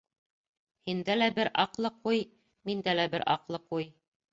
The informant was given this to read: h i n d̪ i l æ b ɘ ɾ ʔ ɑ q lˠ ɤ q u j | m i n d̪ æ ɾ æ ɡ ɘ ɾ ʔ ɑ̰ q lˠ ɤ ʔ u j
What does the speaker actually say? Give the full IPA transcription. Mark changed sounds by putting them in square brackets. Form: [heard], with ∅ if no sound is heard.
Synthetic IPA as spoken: h i n d̪ [æ] l æ b ɘ ɾ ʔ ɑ q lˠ ɤ q u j | m i n d̪ æ [l] æ [b] ɘ ɾ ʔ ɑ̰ q lˠ ɤ [q] u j